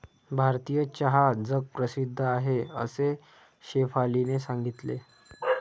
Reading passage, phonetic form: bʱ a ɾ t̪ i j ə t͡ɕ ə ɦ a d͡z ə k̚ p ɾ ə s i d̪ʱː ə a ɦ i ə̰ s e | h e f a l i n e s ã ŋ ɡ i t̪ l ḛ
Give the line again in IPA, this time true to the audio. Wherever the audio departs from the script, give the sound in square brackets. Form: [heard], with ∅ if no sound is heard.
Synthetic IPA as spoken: bʱ a ɾ t̪ i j ə t͡ɕ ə ɦ a d͡z ə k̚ p ɾ ə s i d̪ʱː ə a ɦ [e] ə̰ s e | [ɕ] e f a l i n e s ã ŋ ɡ i t̪ l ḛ